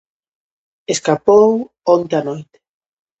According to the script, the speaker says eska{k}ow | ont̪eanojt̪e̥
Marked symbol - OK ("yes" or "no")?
no